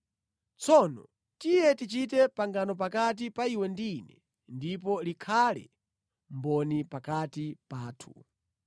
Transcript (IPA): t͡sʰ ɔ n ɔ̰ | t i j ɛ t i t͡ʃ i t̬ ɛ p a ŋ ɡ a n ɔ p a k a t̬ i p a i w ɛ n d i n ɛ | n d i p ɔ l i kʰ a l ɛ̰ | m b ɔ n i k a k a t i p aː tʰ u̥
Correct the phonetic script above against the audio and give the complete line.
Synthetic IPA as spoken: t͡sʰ ɔ n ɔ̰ | t i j ɛ t i t͡ʃ i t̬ ɛ p a ŋ ɡ a n ɔ p a k a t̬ i p a i w ɛ n d i n ɛ | n d i p ɔ l i kʰ a l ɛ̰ | m b ɔ n i p a k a t i p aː tʰ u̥